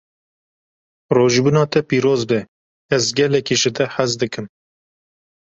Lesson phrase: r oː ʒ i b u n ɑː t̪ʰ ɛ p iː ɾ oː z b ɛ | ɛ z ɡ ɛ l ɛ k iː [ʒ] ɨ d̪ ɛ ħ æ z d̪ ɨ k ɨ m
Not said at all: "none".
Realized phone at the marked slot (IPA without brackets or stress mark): ʒ